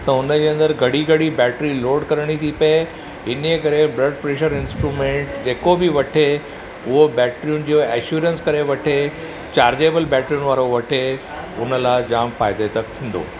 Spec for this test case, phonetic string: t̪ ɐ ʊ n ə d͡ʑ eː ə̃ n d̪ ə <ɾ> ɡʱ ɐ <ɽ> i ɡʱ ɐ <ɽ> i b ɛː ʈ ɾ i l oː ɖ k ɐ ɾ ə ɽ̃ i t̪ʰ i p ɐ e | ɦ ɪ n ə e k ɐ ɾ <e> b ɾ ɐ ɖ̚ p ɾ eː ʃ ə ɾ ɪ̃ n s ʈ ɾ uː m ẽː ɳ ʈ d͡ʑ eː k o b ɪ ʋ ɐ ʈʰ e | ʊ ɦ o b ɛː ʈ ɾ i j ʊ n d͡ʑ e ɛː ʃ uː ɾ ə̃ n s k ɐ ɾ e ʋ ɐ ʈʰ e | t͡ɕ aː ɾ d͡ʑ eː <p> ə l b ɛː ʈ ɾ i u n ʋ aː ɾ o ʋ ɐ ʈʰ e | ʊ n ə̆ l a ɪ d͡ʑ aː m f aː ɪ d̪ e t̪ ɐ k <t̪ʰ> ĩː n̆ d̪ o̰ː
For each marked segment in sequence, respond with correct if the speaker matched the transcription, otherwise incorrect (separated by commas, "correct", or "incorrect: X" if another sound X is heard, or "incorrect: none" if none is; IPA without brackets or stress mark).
correct, correct, correct, correct, incorrect: b, correct